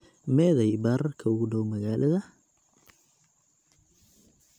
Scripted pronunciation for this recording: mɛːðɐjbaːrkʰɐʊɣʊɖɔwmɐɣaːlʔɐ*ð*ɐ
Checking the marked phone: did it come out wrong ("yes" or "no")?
no